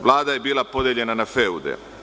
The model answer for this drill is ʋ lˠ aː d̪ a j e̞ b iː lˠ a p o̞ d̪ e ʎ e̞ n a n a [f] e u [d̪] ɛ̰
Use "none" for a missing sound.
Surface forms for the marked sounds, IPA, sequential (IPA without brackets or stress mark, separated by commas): f, d̪